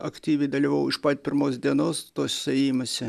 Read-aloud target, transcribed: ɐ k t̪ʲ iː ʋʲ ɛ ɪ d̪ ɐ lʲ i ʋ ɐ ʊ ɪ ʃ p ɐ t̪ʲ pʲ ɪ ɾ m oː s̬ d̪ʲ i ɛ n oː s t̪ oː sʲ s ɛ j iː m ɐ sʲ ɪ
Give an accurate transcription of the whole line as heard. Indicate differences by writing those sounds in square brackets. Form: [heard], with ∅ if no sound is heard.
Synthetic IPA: ɐ k t̪ʲ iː ʋʲ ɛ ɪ d̪ ɐ lʲ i ʋ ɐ ʊ ɪ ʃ p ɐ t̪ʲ pʲ ɪ ɾ m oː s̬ d̪ʲ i ɛ n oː s t̪ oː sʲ s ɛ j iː m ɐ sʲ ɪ